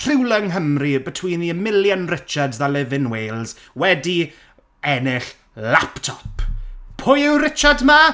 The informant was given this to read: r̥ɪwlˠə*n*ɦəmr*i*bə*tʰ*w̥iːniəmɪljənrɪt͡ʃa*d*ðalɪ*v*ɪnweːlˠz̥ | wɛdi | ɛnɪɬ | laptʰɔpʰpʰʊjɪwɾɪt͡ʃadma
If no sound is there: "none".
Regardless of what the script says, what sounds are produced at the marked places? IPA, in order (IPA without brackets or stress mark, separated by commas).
ŋ, i, tʰ, d, v